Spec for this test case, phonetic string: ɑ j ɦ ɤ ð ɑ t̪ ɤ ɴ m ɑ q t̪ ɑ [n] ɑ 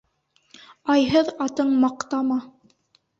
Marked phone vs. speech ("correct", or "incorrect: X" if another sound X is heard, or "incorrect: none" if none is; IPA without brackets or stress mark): incorrect: m